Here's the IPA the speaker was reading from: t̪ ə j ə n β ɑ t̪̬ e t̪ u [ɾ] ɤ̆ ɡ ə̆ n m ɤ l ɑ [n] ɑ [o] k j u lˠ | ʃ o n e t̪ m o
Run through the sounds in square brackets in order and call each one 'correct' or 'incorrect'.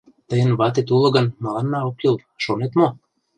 incorrect: l, incorrect: nː, correct

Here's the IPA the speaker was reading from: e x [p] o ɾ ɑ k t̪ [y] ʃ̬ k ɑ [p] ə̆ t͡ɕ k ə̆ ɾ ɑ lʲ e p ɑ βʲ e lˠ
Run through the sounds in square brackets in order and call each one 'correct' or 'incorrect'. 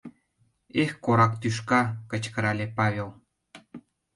incorrect: k, correct, incorrect: k

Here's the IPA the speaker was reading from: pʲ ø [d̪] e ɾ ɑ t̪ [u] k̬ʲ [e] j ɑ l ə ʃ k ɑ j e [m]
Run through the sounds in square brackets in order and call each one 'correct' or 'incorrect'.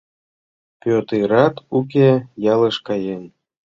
incorrect: t̪, correct, correct, incorrect: n

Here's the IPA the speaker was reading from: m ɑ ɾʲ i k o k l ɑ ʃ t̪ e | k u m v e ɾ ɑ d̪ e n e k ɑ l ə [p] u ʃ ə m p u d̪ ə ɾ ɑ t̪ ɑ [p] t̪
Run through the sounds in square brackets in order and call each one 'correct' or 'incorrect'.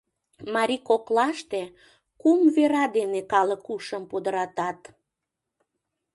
incorrect: k, incorrect: none

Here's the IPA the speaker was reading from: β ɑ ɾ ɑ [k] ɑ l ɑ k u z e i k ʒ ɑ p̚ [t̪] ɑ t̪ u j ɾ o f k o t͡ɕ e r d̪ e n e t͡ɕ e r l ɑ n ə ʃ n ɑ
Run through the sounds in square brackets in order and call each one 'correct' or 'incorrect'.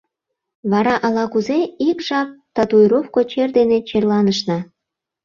incorrect: ʔ, correct

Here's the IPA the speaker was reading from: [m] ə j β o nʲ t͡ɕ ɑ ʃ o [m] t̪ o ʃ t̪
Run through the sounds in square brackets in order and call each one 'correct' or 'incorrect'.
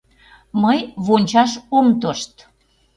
correct, correct

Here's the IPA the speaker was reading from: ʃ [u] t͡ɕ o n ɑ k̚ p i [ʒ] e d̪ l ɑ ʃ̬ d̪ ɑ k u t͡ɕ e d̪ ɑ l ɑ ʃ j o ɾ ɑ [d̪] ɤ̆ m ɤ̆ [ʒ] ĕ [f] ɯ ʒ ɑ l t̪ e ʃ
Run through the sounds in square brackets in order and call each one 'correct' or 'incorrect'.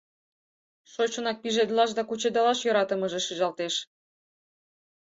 incorrect: o, correct, incorrect: t̪, correct, incorrect: ʃ

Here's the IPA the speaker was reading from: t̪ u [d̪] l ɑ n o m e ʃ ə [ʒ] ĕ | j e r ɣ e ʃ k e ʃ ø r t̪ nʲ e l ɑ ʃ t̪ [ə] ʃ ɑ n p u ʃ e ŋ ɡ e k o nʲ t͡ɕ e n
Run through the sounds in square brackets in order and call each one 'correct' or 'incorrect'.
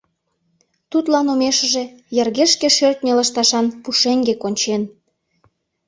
incorrect: t̪, correct, incorrect: ɑ

